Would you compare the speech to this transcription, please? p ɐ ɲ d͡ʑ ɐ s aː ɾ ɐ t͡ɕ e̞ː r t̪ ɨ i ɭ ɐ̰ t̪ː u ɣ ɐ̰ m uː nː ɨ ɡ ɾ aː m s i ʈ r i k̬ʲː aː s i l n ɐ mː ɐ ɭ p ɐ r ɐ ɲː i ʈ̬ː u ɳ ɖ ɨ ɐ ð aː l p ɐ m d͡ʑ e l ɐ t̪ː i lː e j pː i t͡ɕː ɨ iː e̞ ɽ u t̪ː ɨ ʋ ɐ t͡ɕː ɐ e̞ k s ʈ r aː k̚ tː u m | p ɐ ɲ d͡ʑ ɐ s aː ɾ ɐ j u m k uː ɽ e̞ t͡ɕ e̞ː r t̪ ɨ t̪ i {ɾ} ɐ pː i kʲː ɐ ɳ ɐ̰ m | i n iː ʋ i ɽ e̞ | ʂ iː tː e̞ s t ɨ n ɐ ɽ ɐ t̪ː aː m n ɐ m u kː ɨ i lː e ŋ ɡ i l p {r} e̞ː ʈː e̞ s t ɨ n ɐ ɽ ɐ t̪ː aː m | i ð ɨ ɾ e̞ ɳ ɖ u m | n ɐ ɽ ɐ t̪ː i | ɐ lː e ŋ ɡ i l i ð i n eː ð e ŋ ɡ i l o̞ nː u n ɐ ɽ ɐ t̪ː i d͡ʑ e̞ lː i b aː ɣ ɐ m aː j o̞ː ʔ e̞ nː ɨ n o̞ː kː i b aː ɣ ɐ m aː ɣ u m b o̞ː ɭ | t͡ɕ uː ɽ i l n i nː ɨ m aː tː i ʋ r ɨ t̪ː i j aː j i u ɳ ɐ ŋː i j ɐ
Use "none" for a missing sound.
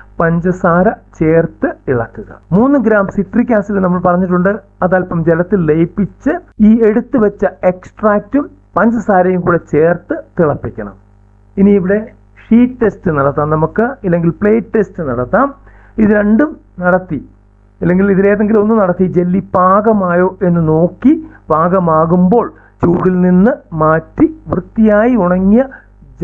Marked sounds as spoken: ɭ, ɭ

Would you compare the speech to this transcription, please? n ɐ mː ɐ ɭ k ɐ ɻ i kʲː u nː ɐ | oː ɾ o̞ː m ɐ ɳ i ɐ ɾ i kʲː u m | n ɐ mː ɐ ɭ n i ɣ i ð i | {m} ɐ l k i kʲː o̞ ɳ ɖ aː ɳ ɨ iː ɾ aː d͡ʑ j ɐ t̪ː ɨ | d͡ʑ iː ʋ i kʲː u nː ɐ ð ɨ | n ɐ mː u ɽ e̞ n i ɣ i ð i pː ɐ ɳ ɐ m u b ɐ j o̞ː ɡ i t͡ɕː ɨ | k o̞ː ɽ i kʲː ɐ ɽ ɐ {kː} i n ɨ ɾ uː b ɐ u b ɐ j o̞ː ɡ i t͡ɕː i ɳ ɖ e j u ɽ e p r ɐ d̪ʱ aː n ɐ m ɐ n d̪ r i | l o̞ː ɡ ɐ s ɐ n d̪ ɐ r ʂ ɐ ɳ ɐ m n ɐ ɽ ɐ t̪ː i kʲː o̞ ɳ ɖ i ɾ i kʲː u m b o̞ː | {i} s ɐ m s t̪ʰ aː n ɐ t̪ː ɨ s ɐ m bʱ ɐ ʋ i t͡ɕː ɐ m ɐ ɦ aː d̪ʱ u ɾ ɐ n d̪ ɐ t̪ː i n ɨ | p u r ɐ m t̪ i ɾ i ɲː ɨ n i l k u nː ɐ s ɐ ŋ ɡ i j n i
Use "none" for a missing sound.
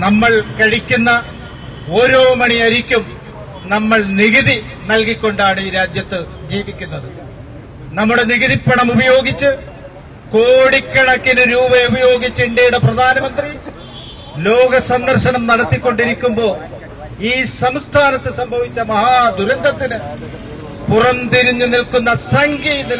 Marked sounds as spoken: n, kː, iː

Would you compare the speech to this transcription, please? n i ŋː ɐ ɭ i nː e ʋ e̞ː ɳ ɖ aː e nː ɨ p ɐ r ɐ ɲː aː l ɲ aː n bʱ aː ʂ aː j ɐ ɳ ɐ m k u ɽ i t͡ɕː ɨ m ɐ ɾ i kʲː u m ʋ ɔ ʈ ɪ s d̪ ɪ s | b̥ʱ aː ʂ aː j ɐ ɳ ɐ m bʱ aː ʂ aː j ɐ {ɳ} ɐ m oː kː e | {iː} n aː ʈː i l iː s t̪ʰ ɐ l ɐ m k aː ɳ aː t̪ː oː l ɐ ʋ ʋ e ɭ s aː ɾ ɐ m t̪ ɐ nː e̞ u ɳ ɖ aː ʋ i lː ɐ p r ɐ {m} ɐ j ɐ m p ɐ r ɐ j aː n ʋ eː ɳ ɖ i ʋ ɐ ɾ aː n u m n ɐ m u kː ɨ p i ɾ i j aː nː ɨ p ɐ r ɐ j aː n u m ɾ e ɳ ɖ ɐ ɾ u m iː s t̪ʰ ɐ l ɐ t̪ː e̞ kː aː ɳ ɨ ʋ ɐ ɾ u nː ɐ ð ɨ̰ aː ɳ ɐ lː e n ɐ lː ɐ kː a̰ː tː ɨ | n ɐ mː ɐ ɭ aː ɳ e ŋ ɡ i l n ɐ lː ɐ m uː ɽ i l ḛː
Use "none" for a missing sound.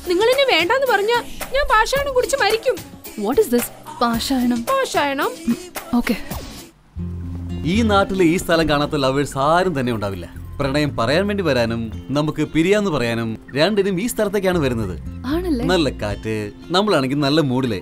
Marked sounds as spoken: ɳ, iː, ɳ

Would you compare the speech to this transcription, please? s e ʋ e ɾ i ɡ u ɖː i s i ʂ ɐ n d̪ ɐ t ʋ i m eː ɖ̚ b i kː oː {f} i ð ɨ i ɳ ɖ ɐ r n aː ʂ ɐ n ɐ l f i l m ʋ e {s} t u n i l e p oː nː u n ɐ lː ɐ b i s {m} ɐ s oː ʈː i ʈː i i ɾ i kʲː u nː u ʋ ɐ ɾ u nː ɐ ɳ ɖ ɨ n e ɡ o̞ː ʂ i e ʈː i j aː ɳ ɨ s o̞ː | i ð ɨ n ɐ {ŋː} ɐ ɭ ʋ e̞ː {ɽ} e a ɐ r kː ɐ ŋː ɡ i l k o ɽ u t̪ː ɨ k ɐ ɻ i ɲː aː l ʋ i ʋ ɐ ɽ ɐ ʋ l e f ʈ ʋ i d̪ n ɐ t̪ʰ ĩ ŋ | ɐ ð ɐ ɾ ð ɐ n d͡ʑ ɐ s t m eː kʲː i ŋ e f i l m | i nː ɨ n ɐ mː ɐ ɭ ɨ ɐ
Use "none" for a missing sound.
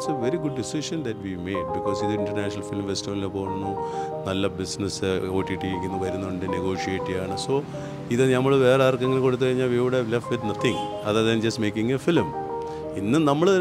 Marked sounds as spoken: s, s, n, mː, r

